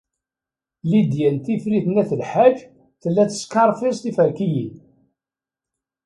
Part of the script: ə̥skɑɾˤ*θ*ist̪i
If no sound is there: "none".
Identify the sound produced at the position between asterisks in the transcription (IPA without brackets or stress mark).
f